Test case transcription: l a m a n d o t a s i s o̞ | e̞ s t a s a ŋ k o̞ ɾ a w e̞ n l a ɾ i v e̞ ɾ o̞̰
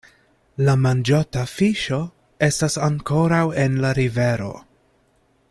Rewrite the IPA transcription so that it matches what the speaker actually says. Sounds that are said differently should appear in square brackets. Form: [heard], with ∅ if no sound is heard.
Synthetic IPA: l a m a n [d͡ʒ] o t a [f] i [ʃ] o̞ | e̞ s t a s a ŋ k o̞ ɾ a w e̞ n l a ɾ i v e̞ ɾ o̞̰